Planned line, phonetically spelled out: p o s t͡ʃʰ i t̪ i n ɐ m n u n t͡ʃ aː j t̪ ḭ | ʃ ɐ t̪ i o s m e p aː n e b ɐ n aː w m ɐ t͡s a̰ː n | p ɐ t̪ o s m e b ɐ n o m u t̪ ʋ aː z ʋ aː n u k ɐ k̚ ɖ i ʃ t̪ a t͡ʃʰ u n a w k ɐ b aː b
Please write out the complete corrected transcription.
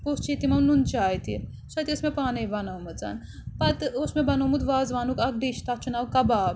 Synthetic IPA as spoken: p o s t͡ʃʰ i t̪ i m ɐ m n u n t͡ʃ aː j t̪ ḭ | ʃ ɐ t̪ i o s m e p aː n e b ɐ n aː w m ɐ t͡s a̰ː n | p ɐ t̪ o s m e b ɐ n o m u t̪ ʋ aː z ʋ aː n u k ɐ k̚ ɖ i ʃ t̪ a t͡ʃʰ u n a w k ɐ b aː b